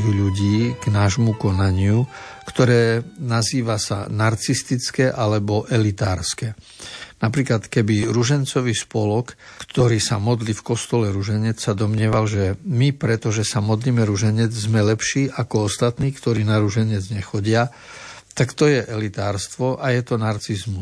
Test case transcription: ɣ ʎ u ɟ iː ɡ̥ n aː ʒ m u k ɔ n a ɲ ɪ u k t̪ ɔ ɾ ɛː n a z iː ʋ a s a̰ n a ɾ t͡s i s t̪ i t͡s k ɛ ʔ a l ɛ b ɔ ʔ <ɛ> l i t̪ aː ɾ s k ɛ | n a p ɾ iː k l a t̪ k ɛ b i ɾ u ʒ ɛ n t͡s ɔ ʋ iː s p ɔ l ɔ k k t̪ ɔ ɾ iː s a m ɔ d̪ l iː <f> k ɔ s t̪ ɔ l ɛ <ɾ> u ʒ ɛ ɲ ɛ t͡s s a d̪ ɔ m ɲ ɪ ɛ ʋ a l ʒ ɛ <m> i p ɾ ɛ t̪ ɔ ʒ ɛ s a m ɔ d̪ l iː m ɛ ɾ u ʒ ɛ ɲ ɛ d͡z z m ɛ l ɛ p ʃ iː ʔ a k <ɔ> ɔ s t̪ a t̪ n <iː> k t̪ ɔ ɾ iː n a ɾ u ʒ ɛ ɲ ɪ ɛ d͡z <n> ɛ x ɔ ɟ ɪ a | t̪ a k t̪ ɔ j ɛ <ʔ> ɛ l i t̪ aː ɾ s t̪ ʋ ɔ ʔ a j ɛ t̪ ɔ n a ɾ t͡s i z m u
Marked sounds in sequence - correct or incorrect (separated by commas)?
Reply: correct, correct, correct, correct, correct, correct, incorrect, correct